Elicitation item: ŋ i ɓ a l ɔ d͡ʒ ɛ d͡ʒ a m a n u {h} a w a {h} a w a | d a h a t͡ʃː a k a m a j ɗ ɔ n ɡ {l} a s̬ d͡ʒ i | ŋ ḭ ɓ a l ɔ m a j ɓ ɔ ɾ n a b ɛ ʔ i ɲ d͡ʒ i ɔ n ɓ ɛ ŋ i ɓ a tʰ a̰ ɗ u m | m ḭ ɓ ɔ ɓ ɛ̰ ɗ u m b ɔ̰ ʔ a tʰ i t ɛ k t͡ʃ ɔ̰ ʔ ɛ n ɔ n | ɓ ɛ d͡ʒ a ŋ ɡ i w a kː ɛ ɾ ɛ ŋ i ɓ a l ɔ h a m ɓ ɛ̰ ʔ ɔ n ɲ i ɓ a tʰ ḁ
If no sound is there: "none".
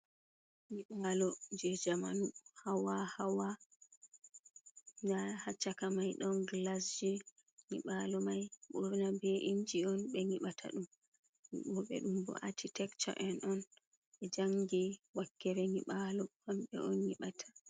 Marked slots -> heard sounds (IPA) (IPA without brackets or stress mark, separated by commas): h, h, l